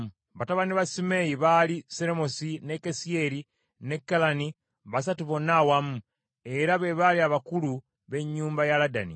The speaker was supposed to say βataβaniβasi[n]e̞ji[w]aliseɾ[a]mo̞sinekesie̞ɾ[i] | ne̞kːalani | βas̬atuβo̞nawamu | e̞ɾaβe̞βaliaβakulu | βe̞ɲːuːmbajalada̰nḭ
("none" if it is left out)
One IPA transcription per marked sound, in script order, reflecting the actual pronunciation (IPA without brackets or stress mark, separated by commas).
m, β, e, i